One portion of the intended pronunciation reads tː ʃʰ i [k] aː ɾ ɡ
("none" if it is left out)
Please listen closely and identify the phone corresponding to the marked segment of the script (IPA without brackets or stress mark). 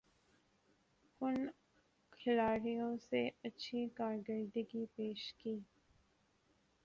k